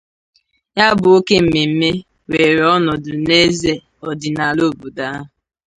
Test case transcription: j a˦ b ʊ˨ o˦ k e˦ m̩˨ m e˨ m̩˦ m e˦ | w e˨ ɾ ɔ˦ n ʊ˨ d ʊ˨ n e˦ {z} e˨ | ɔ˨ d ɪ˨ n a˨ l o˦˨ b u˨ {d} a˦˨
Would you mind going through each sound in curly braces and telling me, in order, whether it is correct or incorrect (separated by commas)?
correct, correct